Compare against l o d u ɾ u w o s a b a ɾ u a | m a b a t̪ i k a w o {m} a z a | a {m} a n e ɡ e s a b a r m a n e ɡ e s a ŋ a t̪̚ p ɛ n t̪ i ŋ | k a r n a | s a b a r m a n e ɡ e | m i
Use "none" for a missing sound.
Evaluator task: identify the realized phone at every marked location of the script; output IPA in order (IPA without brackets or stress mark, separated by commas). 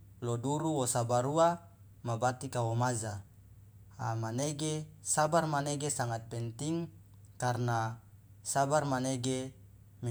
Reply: m, m